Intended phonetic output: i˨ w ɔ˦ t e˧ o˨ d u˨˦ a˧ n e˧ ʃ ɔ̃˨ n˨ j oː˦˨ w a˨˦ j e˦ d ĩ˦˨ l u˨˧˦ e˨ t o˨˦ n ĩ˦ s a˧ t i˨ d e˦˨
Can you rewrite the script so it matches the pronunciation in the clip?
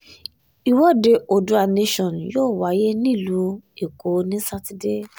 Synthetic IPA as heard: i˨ w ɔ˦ d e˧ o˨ d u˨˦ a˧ n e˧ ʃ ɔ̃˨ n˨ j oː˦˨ w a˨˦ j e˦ n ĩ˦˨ l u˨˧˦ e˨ k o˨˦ n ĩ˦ s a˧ t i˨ d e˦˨